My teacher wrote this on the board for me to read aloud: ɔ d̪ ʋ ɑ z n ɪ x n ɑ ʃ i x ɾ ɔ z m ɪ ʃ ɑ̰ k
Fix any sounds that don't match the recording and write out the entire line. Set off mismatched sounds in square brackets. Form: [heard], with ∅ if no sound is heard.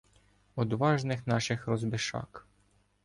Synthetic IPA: ɔ d̪ ʋ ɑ [ʒ] n ɪ x n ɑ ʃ [ɪ] x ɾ ɔ z [b] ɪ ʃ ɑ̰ k